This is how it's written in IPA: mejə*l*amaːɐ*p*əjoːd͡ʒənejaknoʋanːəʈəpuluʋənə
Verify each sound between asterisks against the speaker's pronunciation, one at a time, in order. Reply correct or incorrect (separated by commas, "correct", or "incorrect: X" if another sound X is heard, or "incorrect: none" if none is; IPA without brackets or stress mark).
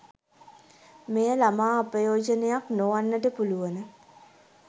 correct, correct